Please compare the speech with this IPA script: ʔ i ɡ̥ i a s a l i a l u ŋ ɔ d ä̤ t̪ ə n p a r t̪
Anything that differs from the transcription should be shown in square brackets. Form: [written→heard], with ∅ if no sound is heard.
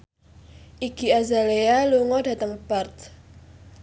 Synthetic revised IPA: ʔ i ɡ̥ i a [s→z] a l [i→e] a l u ŋ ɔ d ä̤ t̪ ə [n→ŋ] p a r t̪